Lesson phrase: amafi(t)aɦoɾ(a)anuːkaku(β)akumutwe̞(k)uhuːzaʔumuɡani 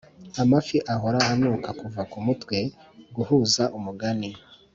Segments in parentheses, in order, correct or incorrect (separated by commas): incorrect, correct, incorrect, incorrect